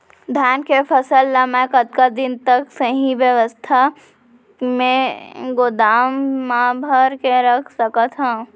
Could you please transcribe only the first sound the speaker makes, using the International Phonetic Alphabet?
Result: d̪ʱ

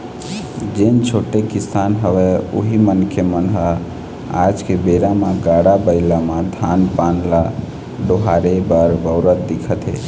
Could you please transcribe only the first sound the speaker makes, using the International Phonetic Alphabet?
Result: d͡ʒ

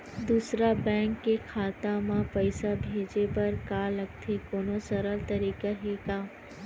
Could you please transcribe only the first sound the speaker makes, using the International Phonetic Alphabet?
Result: d̪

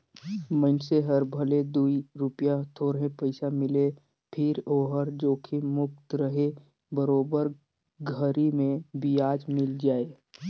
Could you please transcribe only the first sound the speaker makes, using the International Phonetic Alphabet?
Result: m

